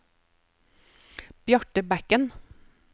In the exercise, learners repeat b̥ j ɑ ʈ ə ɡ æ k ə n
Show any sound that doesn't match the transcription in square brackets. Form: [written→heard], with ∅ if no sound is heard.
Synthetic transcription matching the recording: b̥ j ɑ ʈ ə [ɡ→b] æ k ə n